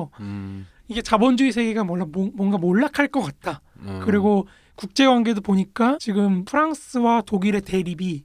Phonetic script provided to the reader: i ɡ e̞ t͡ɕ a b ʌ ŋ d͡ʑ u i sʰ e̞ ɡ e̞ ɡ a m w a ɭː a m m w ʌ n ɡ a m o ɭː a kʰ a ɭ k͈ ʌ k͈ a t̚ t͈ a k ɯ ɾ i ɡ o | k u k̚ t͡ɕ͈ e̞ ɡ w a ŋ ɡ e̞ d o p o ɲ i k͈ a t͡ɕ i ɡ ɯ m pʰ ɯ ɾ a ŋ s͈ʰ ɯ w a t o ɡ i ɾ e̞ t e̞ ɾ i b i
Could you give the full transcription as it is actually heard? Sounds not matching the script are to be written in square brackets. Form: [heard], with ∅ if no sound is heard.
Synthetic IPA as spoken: i ɡ e̞ t͡ɕ a b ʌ [n] d͡ʑ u i sʰ e̞ ɡ e̞ ɡ a m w [ʌ] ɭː a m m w ʌ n ɡ a m o ɭː a kʰ a ɭ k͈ ʌ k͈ a t̚ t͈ a k ɯ ɾ i ɡ o | k u k̚ t͡ɕ͈ e̞ ɡ w a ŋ ɡ e̞ d o p o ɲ i k͈ a t͡ɕ i ɡ ɯ m pʰ ɯ ɾ a ŋ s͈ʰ ɯ w a t o ɡ i ɾ e̞ t e̞ ɾ i b i